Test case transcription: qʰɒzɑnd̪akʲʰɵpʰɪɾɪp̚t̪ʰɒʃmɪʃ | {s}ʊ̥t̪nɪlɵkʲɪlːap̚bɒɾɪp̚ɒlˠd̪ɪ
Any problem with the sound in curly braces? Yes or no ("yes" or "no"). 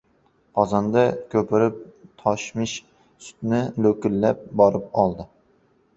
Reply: no